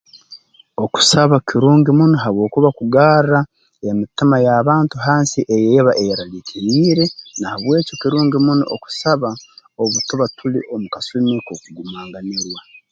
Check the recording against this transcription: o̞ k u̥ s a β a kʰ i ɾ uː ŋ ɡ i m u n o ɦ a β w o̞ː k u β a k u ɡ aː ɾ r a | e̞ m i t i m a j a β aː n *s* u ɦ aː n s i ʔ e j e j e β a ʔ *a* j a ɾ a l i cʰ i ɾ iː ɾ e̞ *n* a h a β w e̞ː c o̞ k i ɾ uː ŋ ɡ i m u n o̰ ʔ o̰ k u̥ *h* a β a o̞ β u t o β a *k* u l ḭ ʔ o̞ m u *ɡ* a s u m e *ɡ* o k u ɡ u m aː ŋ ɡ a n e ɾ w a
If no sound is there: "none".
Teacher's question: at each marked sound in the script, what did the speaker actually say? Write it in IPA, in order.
t, e, n, s, t, k, k

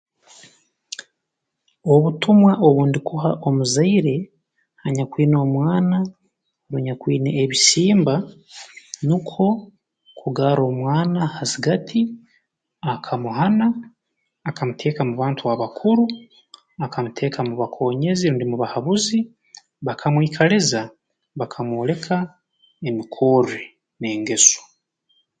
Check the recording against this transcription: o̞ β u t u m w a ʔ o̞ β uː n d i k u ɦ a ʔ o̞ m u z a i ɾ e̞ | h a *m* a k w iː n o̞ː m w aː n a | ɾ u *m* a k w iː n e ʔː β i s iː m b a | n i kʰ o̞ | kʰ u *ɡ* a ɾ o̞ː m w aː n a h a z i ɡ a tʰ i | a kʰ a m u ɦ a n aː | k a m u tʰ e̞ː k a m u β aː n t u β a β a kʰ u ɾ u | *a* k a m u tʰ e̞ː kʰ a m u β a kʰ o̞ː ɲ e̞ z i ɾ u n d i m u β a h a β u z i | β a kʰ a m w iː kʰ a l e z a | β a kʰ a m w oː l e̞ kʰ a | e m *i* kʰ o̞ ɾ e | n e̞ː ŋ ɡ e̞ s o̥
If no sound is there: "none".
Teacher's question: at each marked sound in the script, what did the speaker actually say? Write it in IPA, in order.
ɲ, ɲ, ɡ, a, i

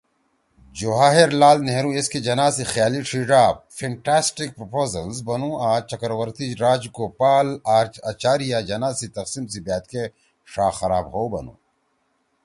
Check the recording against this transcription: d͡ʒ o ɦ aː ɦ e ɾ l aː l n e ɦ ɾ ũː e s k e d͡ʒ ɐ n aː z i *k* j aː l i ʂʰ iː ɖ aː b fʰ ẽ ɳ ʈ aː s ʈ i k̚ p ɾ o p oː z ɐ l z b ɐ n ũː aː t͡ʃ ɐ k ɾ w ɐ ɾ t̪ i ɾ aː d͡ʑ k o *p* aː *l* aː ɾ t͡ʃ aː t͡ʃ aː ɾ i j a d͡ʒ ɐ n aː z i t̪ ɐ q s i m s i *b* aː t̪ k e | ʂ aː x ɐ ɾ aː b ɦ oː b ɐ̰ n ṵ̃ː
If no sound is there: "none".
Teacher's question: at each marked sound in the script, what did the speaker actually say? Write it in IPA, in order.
x, p, l, b

